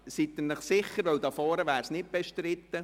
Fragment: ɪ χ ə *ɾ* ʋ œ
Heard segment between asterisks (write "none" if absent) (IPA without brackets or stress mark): ɾ